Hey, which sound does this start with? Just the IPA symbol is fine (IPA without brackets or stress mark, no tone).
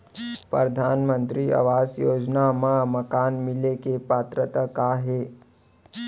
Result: p